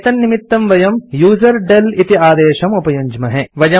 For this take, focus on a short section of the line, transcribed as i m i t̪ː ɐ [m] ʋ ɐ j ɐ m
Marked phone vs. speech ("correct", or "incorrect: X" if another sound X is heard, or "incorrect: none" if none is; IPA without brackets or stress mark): correct